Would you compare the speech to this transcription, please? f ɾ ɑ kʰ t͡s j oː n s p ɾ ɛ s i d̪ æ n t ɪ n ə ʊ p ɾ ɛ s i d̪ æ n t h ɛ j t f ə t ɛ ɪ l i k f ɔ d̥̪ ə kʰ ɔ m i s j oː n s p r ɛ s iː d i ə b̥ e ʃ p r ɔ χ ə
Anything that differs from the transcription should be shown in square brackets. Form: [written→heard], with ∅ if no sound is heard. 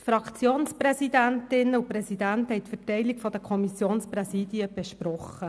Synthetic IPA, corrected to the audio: f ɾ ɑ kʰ t͡s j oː n s p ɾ ɛ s i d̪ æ n t ɪ n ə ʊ p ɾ ɛ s i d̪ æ n t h ɛ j t f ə t ɛ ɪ l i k f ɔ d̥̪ ə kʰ ɔ m i s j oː n s p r ɛ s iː d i ə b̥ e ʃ p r ɔ χ ə